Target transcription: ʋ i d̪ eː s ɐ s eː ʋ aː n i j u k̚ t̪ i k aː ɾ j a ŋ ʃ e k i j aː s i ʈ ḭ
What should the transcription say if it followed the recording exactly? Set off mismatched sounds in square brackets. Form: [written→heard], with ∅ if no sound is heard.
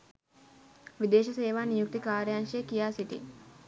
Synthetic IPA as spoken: ʋ i d̪ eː [s→ʃ] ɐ s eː ʋ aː n i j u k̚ t̪ i k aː ɾ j a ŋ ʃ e k i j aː s i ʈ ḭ